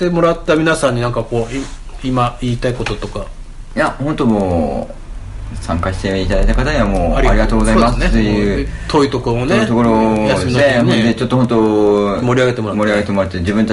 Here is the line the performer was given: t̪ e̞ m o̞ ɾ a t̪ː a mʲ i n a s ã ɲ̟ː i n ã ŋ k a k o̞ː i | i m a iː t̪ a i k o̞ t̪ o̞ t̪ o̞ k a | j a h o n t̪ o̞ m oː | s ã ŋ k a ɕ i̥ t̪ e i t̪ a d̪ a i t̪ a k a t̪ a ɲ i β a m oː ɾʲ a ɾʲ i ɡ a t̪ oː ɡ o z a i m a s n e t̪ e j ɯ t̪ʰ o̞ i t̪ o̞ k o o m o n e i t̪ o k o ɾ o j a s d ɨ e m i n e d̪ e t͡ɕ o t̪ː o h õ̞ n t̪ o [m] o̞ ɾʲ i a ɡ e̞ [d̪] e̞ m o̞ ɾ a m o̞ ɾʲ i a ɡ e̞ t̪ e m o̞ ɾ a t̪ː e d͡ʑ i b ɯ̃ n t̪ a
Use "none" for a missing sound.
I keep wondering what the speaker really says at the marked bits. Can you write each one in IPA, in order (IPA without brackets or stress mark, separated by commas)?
m, t̪